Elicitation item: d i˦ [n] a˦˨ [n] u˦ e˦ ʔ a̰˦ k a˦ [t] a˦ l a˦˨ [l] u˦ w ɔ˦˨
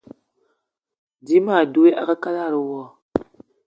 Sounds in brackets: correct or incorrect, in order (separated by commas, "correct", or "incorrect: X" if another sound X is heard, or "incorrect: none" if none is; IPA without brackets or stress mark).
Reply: incorrect: m, incorrect: d, incorrect: k, incorrect: ɾ